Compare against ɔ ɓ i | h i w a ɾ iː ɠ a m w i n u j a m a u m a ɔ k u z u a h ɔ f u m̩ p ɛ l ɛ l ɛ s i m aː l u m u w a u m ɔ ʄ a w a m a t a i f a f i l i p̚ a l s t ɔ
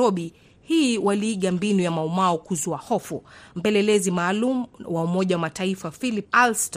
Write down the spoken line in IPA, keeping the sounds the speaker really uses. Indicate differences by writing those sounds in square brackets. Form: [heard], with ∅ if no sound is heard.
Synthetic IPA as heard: ɔ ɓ i | h i w a [l] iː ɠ a m [b] i n u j a m a u m a ɔ k u z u a h ɔ f u m̩ p ɛ l ɛ l ɛ [z] i m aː l u m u w a u m ɔ ʄ a w a m a t a i f a f i l i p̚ a l s t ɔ